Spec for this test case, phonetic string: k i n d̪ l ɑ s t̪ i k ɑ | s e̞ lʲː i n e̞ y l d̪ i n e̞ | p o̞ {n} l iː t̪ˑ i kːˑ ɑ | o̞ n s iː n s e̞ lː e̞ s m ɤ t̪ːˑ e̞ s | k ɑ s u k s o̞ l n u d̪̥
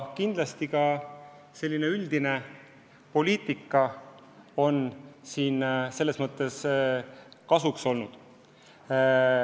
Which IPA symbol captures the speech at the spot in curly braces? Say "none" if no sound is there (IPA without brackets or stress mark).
none